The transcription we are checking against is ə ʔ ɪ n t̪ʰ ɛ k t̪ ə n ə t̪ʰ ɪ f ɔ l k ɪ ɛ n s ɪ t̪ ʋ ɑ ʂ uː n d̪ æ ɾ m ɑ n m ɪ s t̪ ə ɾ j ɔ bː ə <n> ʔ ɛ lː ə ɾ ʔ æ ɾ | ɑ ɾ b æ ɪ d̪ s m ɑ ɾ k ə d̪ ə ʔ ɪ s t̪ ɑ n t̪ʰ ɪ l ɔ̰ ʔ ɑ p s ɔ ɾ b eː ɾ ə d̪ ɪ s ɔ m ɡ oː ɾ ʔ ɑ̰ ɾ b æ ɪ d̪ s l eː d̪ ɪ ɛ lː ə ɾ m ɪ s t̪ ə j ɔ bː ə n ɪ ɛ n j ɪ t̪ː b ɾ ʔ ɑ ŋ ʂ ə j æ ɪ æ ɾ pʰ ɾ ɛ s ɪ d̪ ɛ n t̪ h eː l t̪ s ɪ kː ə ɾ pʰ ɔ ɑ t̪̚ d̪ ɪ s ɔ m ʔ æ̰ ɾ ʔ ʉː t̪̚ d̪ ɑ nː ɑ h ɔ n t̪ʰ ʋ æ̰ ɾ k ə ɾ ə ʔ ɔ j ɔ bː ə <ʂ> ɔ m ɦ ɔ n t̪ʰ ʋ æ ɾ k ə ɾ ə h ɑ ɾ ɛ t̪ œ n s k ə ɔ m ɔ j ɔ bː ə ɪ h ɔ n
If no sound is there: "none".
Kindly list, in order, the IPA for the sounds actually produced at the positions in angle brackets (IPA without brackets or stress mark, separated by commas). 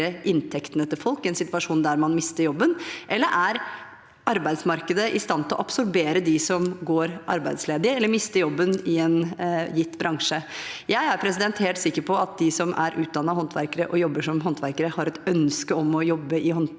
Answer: n, ʂ